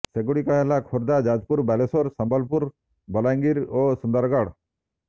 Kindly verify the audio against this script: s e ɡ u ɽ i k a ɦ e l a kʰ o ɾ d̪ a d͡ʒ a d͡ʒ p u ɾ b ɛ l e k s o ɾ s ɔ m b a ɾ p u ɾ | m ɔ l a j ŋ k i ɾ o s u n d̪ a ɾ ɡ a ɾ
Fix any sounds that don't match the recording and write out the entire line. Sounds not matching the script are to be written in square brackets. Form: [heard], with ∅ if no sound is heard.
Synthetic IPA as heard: s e ɡ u ɽ i k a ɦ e l a kʰ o ɾ d̪ a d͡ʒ a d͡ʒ p u ɾ b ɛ l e [∅] s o ɾ s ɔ m b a [l] p u ɾ | [b] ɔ l a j ŋ [ɡ] i ɾ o s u n d̪ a ɾ ɡ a [ɽ]